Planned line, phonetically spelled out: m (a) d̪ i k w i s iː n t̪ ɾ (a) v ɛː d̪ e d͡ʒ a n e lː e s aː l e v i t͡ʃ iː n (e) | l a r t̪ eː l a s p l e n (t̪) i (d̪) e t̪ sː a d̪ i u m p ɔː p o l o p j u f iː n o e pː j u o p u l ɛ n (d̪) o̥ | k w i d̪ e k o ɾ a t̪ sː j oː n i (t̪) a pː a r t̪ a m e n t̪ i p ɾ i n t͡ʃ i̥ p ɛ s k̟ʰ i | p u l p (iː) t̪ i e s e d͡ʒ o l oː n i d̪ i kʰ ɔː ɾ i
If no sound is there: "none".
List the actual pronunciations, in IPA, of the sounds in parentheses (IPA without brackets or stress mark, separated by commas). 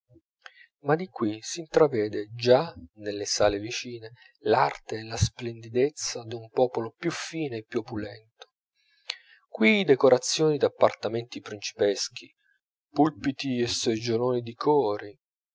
a, a, e, d̪, d̪, t̪, d̪, i